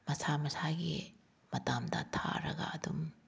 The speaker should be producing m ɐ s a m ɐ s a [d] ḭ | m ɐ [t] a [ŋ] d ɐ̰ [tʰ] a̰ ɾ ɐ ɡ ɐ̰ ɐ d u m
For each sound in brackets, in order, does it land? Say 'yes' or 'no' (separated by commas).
no, yes, no, yes